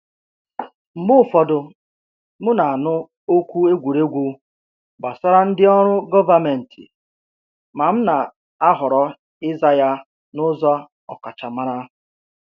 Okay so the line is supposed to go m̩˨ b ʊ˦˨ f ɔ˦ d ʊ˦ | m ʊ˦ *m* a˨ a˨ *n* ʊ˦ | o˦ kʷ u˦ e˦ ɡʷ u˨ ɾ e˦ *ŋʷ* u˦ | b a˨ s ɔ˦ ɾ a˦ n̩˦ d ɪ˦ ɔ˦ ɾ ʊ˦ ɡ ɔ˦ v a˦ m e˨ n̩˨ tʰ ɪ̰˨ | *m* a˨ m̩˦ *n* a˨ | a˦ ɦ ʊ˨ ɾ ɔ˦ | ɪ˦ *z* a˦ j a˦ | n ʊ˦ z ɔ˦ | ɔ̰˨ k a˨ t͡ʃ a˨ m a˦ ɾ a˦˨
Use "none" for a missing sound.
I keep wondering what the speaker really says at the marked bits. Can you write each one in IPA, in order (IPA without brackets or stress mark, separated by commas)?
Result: n, n, ɡʷ, m, n, z